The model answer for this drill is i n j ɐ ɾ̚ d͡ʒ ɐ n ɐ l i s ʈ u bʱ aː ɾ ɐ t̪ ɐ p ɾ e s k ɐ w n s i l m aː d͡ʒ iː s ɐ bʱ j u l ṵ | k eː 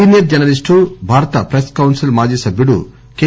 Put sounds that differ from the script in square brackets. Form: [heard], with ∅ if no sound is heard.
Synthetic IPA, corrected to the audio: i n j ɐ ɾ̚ d͡ʒ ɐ n ɐ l i s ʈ u bʱ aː ɾ ɐ t̪ ɐ p ɾ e s k ɐ w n s i l m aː d͡ʒ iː s ɐ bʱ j u [ɽ] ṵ | k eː

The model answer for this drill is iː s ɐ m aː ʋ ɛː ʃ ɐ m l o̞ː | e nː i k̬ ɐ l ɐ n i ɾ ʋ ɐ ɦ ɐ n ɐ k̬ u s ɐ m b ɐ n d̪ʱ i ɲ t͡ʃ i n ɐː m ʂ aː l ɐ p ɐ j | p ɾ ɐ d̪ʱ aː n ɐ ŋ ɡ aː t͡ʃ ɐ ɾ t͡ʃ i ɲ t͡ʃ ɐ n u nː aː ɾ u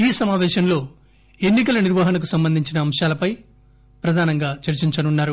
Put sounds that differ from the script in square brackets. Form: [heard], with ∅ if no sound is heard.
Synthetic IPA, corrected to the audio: iː s ɐ m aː ʋ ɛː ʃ ɐ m l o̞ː | e nː i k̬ ɐ l ɐ n i ɾ ʋ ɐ ɦ ɐ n ɐ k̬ u s ɐ m b ɐ n d̪ʱ i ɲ t͡ʃ i n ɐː m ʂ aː l ɐ p ɐ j | p ɾ ɐ d̪ʱ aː n ɐ ŋ ɡ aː t͡ʃ ɐ ɾ t͡ʃ i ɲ t͡ʃ ɐ n u nː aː ɾ u

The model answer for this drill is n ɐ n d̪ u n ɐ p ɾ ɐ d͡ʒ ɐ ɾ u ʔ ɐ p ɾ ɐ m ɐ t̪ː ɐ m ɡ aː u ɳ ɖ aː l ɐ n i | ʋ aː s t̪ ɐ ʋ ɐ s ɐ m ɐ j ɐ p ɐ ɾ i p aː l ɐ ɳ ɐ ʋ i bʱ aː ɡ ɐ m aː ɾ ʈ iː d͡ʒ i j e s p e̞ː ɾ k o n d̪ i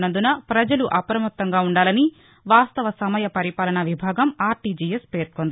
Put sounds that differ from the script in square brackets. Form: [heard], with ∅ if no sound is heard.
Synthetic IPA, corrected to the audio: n ɐ n d̪ u n ɐ p ɾ ɐ d͡ʒ ɐ [l] u ʔ ɐ p ɾ ɐ m ɐ t̪ː ɐ [ŋ] ɡ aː u ɳ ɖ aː l ɐ n i | ʋ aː s t̪ ɐ ʋ ɐ s ɐ m ɐ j ɐ p ɐ ɾ i p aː l ɐ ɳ ɐ ʋ i bʱ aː ɡ ɐ m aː ɾ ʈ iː d͡ʒ i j e s p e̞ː ɾ k o n d̪ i

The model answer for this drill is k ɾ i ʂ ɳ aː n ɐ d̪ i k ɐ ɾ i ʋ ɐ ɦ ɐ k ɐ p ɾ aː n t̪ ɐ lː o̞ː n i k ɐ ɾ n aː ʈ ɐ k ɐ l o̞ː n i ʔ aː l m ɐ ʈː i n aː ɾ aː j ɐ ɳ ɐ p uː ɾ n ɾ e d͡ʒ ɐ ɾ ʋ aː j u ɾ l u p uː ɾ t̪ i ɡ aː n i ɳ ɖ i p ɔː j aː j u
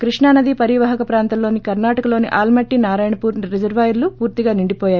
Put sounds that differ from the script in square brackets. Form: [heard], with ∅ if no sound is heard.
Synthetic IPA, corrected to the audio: k ɾ i ʂ ɳ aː n ɐ d̪ i [p] ɐ ɾ i ʋ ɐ ɦ ɐ k ɐ p ɾ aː n t̪ ɐ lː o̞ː n i k ɐ ɾ n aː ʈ ɐ k ɐ l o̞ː n i ʔ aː l m ɐ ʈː i n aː ɾ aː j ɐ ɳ ɐ p uː ɾ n ɾ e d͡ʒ ɐ ɾ ʋ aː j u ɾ l u p uː ɾ t̪ i ɡ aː n i ɳ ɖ i p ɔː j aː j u

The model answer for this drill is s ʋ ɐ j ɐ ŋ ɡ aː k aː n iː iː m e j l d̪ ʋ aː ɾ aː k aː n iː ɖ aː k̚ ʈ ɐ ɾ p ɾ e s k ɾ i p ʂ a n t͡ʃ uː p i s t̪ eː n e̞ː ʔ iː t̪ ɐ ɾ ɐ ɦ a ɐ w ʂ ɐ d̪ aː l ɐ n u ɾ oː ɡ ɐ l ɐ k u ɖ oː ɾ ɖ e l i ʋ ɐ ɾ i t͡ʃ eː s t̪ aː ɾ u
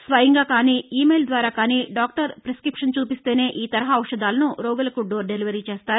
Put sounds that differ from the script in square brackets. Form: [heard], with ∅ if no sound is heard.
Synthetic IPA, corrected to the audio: s ʋ ɐ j ɐ ŋ ɡ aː k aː n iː iː m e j l d̪ ʋ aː ɾ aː k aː n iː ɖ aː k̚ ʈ ɐ ɾ p ɾ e s k ɾ i p ʂ [ɐ] n t͡ʃ uː p i s t̪ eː n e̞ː ʔ iː t̪ ɐ ɾ ɐ ɦ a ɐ w ʂ ɐ d̪ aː l ɐ n u ɾ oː ɡ ɐ l ɐ k u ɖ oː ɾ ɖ e l i ʋ ɐ ɾ i t͡ʃ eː s t̪ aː ɾ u

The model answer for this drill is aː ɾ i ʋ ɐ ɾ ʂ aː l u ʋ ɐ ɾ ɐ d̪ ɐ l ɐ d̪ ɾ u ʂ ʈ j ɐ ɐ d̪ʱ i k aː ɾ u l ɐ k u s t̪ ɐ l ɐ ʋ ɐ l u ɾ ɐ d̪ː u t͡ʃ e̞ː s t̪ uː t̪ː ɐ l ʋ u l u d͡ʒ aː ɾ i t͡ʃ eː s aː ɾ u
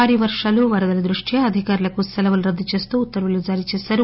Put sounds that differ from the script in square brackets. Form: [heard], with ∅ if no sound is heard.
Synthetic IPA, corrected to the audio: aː ɾ i ʋ ɐ ɾ ʂ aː l u ʋ ɐ ɾ ɐ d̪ ɐ l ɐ d̪ ɾ u ʂ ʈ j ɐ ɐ d̪ʱ i k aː ɾ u l ɐ k u s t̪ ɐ l ɐ ʋ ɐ l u ɾ ɐ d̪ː u t͡ʃ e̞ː s t̪ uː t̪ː ɐ [ɾ] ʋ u l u d͡ʒ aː ɾ i t͡ʃ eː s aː ɾ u

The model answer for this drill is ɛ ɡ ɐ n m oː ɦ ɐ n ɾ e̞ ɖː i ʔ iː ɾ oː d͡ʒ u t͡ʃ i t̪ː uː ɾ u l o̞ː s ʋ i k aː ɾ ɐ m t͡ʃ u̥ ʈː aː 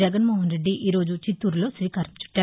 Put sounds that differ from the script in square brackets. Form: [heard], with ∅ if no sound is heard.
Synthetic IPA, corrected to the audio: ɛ ɡ ɐ n m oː ɦ ɐ n ɾ e̞ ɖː i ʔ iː ɾ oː d͡ʒ u t͡ʃ i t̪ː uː ɾ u l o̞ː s ʋ [iː] k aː ɾ ɐ m t͡ʃ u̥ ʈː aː

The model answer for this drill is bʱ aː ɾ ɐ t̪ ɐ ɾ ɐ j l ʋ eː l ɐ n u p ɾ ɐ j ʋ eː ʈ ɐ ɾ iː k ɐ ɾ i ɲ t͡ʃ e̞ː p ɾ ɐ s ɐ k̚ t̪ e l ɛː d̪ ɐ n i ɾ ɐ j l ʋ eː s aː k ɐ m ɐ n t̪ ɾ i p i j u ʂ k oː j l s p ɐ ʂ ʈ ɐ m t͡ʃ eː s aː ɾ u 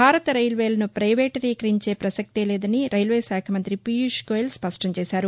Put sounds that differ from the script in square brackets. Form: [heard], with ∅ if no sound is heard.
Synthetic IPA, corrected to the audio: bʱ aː ɾ ɐ t̪ ɐ ɾ ɐ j l ʋ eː l ɐ n u p ɾ ɐ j ʋ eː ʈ ɐ ɾ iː k ɐ ɾ i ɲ t͡ʃ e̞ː p ɾ ɐ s ɐ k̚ t̪ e l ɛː d̪ ɐ n i ɾ ɐ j l ʋ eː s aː [kʰ] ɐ m ɐ n t̪ ɾ i p i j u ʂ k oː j l s p ɐ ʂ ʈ ɐ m t͡ʃ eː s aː ɾ u

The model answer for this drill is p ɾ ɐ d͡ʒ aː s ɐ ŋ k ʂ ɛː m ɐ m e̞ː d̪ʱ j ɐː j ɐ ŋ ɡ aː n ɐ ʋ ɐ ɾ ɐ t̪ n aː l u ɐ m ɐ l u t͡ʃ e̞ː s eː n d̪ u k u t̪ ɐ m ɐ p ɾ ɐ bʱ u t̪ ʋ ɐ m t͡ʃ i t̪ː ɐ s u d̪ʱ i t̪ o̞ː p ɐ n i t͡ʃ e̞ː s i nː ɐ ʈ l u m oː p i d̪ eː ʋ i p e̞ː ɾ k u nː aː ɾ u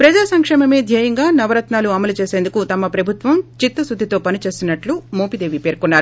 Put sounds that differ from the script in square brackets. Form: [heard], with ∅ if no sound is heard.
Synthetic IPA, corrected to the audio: p ɾ ɐ d͡ʒ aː s ɐ ŋ k ʂ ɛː m ɐ m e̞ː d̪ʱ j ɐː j ɐ ŋ ɡ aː n ɐ ʋ ɐ ɾ ɐ t̪ n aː l u ɐ m ɐ l u t͡ʃ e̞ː s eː n d̪ u k u t̪ ɐ m ɐ p ɾ ɐ bʱ u t̪ ʋ ɐ m t͡ʃ i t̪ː ɐ s u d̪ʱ i t̪ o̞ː p ɐ n i t͡ʃ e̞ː s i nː ɐ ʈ l u m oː p i d̪ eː ʋ i p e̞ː ɾ k u nː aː ɾ u

